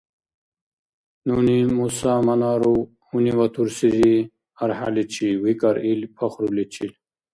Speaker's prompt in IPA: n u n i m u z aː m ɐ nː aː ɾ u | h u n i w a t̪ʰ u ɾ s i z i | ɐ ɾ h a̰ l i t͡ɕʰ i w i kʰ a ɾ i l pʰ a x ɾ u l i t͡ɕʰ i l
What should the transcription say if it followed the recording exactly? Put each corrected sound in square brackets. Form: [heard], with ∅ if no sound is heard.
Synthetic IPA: n u n i m u [s] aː m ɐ [n] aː ɾ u | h u n i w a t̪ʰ u ɾ s i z i | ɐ ɾ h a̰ l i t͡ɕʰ i w i [k] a ɾ i l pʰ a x ɾ u l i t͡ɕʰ i l